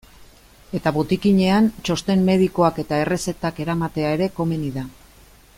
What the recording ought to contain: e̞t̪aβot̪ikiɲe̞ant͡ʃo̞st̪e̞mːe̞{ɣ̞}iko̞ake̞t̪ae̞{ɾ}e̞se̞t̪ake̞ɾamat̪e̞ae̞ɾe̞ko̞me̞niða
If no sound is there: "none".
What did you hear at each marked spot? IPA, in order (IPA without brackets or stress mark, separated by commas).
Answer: ð̞, r